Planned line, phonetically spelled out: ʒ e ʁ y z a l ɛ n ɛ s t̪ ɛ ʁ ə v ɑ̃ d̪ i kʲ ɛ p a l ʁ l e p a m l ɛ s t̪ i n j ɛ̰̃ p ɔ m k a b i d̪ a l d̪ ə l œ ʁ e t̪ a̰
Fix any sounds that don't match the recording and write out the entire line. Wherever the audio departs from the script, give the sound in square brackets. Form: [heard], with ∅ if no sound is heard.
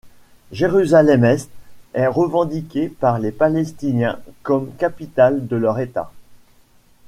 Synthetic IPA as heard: ʒ e ʁ y z a l ɛ [m] ɛ s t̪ ɛ ʁ ə v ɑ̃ d̪ i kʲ [e] p a [∅] ʁ l e p a [∅] l ɛ s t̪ i n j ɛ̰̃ [k] ɔ m k a [p] i [t̪] a l d̪ ə l œ ʁ e t̪ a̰